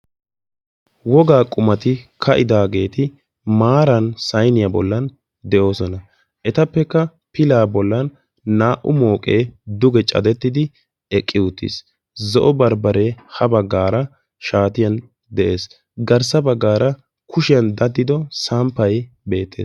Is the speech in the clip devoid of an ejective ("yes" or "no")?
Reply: no